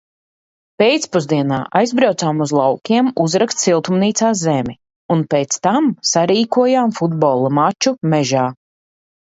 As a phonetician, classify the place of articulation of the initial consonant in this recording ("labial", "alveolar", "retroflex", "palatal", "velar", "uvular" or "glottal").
labial